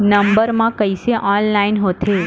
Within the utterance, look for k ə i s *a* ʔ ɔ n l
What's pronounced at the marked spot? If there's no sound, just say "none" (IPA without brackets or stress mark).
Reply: e